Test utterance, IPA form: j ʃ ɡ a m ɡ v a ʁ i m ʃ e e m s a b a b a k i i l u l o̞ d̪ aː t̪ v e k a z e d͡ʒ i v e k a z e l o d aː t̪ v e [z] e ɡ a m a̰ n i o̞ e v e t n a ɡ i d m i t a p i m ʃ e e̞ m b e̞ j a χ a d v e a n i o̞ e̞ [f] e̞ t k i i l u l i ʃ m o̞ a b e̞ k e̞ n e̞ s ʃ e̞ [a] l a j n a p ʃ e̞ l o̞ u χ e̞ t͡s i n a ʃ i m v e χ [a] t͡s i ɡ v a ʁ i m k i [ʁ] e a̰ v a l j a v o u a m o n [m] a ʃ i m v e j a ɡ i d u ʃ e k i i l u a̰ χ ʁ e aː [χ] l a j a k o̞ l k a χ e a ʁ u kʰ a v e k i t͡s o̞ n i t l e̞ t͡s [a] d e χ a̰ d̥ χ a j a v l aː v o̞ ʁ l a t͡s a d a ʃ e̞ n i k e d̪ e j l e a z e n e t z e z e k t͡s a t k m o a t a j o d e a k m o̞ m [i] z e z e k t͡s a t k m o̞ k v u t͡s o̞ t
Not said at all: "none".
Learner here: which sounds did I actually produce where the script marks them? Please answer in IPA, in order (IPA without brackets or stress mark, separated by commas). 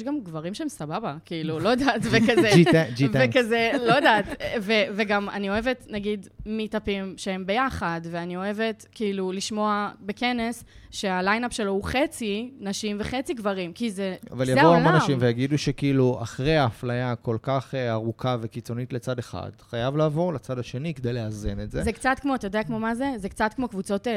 v, v, a, e, z, n, f, a, a